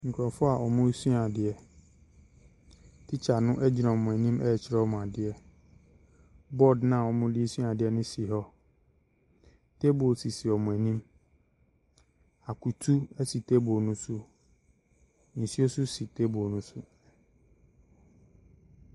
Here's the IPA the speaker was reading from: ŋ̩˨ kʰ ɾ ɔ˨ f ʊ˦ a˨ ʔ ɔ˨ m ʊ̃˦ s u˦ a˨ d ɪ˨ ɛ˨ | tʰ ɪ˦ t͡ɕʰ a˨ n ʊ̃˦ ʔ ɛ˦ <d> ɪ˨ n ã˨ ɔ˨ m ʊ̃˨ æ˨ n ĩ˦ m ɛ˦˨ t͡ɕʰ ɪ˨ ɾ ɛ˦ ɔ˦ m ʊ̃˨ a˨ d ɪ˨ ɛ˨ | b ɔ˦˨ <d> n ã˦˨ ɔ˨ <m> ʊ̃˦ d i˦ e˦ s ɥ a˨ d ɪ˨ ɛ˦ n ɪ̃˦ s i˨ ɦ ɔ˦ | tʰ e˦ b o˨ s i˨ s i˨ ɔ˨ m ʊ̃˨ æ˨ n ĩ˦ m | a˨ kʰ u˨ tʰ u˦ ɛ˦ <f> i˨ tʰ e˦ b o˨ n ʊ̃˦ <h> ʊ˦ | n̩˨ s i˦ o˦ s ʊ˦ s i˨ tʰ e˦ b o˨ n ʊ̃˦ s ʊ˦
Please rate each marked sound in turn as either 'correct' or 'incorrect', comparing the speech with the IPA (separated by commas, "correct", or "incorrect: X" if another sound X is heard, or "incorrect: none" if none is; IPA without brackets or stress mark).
incorrect: d͡ʑ, correct, correct, incorrect: s, incorrect: s